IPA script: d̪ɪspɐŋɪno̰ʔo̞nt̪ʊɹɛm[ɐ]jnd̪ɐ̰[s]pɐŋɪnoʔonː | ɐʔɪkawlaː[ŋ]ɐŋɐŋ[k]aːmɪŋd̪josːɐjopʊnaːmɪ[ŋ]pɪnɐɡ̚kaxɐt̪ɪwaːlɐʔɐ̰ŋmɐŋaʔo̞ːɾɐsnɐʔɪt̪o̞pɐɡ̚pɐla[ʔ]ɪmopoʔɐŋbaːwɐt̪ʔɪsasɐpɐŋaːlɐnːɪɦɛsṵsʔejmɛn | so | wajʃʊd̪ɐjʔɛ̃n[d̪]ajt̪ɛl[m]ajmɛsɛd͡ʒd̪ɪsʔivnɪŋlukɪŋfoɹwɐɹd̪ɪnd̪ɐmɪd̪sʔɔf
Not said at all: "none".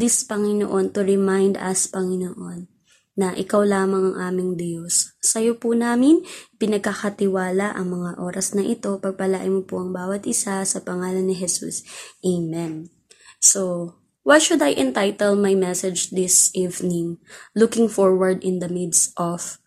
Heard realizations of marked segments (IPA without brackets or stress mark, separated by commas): a, s, m, ʔ, n, ʔ, t̪, m